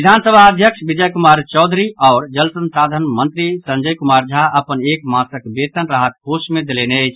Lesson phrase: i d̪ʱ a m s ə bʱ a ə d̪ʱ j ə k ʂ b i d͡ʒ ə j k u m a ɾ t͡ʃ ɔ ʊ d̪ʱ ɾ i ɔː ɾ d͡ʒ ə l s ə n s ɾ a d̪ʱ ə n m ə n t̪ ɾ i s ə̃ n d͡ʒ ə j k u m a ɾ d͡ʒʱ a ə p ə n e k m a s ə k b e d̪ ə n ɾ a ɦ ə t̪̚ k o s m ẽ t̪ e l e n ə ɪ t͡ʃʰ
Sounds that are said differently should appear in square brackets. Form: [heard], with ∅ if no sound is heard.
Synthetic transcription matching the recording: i d̪ʱ a [n] s ə bʱ a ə d̪ʱ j ə k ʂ b i d͡ʒ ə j k u m a ɾ t͡ʃ ɔ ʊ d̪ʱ ɾ i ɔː ɾ d͡ʒ ə l s ə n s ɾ a d̪ʱ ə n m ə n t̪ ɾ i s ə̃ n d͡ʒ ə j k u m a ɾ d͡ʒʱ a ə p ə n e k m a s ə k b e [t̪] ə n ɾ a ɦ ə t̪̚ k o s m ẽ [d̪] e l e n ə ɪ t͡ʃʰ

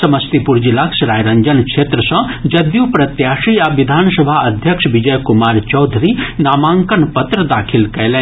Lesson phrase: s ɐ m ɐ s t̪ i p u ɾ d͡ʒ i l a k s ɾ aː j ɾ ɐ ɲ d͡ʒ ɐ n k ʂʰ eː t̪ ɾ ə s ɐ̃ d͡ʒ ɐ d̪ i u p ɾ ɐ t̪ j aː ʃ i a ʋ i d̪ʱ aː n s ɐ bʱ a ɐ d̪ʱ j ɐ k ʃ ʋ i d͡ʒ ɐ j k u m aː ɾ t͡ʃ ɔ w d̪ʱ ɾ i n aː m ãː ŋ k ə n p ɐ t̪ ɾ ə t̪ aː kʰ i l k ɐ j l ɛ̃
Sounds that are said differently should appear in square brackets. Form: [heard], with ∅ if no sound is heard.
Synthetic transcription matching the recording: s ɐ m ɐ s t̪ i p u ɾ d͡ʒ i l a k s ɾ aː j ɾ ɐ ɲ d͡ʒ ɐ n k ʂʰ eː t̪ ɾ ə s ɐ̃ d͡ʒ ɐ d̪ [j] u p ɾ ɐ t̪ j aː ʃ i a ʋ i d̪ʱ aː n s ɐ bʱ a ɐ d̪ʱ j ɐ k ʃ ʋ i d͡ʒ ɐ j k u m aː ɾ t͡ʃ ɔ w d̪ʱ ɾ i n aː m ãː ŋ k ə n p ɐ t̪ ɾ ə [d̪] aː kʰ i l k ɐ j l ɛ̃

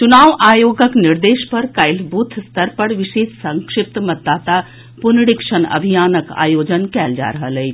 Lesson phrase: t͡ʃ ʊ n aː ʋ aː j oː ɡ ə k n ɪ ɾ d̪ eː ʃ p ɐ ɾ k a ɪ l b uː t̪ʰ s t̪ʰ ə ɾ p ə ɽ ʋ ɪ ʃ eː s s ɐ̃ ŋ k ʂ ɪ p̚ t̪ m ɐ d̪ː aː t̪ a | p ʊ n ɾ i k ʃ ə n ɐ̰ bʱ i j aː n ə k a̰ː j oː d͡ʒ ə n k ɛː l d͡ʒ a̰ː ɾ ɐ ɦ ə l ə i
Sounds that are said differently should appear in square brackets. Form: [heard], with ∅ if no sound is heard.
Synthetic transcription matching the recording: t͡ʃ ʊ n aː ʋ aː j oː ɡ ə k n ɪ ɾ d̪ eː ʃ p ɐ ɾ k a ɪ l b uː t̪ʰ s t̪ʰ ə ɾ p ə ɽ ʋ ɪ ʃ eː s s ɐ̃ ŋ k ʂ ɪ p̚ t̪ m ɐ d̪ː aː t̪ a | p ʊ n [ɽ] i k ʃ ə n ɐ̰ bʱ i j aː n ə k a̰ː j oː d͡ʒ ə n k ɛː l d͡ʒ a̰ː ɾ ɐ ɦ ə l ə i

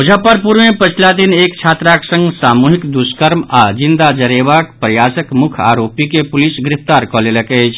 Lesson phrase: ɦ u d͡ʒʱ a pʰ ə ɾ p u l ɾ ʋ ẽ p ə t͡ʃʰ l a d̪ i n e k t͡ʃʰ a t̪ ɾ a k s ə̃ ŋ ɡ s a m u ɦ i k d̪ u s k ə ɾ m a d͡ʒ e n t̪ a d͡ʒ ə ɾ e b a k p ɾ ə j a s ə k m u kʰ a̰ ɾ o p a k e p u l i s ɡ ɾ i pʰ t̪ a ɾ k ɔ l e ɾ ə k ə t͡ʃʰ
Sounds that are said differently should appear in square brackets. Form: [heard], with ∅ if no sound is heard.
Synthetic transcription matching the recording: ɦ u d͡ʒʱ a [p] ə ɾ p u [∅] ɾ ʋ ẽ p ə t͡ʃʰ l a d̪ i n e k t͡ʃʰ a t̪ ɾ a k s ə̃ ŋ ɡ s a m u ɦ i k d̪ u s k ə ɾ m a d͡ʒ [i] n [d̪] a d͡ʒ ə ɾ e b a k p ɾ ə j a s ə k m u kʰ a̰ ɾ o p [i] k e p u l i s ɡ ɾ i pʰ t̪ a ɾ k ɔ l e [l] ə k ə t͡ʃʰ

